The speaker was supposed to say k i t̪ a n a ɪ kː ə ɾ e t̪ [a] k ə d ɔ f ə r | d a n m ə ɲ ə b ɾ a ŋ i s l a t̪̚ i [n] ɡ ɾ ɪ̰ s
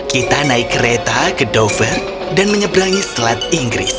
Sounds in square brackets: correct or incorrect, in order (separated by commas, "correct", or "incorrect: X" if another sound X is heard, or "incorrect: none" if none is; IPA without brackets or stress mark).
correct, incorrect: ŋ